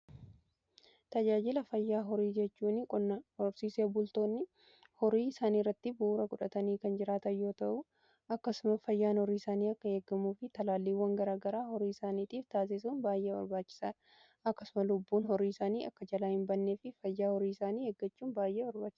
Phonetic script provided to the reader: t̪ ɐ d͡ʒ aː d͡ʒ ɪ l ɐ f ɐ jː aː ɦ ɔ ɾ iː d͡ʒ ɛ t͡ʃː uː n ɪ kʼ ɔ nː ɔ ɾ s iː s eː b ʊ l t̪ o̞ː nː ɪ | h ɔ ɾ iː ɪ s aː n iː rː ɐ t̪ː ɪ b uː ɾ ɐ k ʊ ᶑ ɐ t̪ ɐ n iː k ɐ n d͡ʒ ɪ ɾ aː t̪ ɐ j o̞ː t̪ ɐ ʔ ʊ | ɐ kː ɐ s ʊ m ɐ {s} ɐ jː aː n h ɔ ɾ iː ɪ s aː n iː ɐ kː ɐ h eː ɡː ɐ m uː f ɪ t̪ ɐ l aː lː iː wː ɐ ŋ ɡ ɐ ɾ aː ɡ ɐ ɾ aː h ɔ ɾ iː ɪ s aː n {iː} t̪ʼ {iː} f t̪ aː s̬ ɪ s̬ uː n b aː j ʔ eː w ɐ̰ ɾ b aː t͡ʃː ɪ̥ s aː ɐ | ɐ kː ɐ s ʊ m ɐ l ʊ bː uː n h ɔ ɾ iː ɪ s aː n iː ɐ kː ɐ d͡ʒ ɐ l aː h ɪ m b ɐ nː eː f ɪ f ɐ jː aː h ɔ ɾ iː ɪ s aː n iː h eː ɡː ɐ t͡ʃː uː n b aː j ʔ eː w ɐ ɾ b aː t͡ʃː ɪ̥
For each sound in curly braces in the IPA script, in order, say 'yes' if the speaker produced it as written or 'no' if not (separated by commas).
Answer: no, yes, yes